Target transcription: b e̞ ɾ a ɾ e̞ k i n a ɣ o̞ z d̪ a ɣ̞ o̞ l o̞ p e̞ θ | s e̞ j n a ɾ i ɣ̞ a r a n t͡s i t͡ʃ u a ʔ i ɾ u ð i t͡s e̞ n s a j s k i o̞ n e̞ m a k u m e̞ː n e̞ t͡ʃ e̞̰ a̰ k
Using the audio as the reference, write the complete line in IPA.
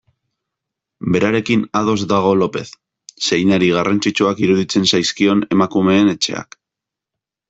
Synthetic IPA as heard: b e̞ ɾ a ɾ e̞ k i n a ð o̞ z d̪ a ɣ̞ o̞ l o̞ p e̞ θ | s e̞ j n a ɾ i ɣ̞ a r a n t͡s i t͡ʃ u a k i ɾ u ð i t͡s e̞ n s a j s k i o̞ n e̞ m a k u m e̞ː n e̞ t͡ʃ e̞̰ a̰ k